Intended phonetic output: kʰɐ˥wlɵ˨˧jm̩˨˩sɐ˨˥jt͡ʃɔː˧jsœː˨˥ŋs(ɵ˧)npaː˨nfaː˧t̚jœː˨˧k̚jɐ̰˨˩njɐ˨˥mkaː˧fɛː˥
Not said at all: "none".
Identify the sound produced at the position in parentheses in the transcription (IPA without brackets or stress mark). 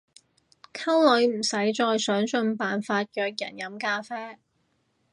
ɵ˧